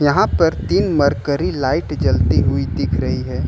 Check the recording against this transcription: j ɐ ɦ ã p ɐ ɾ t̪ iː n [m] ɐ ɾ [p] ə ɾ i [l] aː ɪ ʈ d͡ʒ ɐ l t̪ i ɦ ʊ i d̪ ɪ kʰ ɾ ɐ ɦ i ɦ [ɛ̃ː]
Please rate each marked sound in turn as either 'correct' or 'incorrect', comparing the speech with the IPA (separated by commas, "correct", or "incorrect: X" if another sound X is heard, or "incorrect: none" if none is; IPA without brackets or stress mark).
correct, incorrect: k, correct, incorrect: ɛː